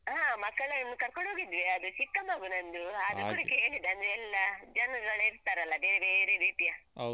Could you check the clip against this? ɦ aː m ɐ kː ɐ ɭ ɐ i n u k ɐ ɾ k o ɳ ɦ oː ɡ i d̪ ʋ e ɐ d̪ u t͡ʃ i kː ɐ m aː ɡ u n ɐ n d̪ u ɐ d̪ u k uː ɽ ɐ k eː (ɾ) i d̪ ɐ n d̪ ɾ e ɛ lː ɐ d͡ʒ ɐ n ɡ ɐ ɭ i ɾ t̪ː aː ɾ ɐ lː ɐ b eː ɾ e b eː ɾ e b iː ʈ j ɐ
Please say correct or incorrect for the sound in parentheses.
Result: incorrect